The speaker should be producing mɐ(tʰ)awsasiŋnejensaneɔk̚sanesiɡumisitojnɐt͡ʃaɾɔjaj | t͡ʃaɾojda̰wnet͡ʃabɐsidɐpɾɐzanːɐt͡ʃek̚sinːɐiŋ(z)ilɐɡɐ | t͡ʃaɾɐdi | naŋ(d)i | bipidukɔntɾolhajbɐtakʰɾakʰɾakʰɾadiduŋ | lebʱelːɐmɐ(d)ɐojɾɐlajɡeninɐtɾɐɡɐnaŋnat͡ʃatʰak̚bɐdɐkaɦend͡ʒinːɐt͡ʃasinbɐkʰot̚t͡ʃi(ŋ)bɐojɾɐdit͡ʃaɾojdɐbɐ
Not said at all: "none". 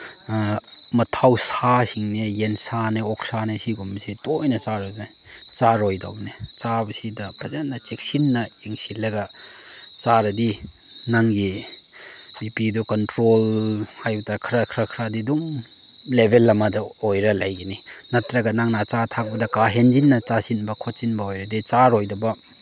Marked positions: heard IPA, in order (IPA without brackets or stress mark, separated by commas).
tʰ, s, ɡ, d, n